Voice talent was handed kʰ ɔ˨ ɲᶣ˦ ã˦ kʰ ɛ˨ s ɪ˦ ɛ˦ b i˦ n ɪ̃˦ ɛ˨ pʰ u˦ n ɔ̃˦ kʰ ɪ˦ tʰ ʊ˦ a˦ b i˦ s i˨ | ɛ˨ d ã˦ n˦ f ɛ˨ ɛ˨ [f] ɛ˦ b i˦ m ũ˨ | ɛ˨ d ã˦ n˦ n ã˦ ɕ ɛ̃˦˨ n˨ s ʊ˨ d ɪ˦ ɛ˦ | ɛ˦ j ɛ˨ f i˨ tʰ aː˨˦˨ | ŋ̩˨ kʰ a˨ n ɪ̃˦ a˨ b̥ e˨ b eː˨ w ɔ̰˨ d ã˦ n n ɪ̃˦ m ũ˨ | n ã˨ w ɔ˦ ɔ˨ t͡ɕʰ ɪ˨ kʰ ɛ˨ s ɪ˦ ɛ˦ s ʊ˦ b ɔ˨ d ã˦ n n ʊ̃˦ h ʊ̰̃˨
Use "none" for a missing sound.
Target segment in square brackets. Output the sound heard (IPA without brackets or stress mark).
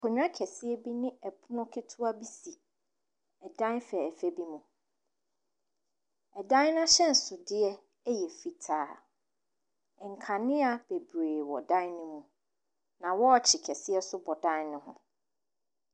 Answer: f